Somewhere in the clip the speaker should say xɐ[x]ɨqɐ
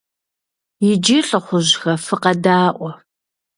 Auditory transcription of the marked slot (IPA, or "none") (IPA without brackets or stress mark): f